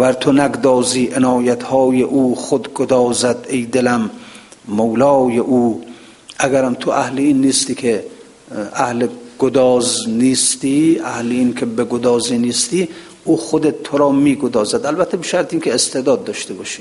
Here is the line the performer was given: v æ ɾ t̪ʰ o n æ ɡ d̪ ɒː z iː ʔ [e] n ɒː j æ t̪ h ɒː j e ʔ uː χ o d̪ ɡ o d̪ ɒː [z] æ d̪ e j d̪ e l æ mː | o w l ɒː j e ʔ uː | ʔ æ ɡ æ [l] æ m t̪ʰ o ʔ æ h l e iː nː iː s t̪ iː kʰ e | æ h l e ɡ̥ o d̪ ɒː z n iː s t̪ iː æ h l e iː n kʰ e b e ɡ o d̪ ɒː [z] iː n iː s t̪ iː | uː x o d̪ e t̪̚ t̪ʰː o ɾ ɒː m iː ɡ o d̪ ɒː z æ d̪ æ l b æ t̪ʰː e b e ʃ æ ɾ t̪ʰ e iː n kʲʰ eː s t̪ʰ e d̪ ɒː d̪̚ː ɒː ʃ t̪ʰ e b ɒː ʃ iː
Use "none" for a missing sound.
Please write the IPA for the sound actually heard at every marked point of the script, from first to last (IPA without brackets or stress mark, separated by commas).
e, z, ɾ, z